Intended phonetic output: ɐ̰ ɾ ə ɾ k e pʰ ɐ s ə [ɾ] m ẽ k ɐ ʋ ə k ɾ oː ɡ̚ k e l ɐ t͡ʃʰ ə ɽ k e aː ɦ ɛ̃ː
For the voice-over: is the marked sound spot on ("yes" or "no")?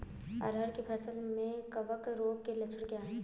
no